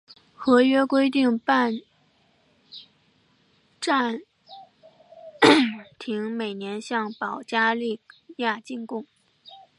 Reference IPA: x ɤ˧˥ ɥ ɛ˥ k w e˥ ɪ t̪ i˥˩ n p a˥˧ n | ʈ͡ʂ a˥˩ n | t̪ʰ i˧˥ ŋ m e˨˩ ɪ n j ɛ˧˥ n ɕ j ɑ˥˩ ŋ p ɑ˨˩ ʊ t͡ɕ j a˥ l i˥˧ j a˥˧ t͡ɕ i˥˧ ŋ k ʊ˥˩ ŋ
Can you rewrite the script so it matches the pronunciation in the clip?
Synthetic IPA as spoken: x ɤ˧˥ ɥ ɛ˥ k w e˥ ɪ t̪ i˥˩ ŋ p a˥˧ n | ʈ͡ʂ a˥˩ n | t̪ʰ i˧˥ ŋ m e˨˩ ɪ n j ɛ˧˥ n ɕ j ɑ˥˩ ŋ p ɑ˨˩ ʊ t͡ɕ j a˥ l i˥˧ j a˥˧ t͡ɕ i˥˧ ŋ k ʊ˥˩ ŋ